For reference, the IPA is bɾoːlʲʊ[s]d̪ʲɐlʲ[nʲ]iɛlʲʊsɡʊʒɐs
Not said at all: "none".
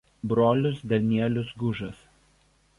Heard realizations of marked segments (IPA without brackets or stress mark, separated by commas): s, nʲ